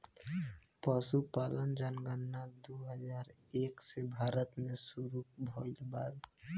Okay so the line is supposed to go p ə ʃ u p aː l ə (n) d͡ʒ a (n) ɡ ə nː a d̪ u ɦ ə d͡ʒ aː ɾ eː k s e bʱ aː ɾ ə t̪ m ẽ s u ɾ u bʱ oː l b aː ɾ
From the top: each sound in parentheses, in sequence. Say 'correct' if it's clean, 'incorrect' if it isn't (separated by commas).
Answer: correct, correct